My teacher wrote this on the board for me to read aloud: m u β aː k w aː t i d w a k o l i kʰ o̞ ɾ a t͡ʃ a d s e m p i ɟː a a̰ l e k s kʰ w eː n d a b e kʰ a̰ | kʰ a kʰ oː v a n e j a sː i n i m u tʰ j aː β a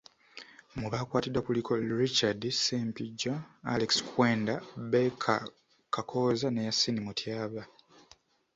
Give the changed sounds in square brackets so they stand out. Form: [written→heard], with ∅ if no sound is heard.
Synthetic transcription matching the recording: m u β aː k w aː t i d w a k [o→u] l i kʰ o̞ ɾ [a→i] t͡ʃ a d s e m p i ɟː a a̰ l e k s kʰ w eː n d a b e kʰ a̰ | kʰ a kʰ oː [v→z] a n e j a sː i n i m u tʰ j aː β a